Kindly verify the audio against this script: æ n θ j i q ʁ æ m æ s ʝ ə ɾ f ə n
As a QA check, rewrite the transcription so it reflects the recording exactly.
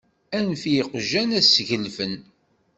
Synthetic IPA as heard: æ n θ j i q ʒ æ n æ s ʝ ə l f ə n